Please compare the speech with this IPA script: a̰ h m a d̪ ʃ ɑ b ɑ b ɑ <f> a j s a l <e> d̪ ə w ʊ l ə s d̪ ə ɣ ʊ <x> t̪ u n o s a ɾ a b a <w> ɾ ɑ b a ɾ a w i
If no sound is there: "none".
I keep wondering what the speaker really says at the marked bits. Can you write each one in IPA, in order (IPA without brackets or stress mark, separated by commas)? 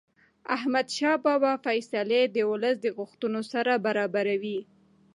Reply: f, e, x, none